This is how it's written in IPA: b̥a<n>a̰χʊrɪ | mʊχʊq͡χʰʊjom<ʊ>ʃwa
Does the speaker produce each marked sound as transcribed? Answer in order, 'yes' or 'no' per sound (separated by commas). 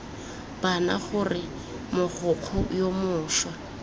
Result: yes, no